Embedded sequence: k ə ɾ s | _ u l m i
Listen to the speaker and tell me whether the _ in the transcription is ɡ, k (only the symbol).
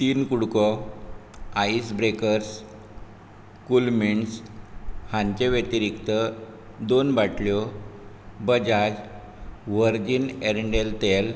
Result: k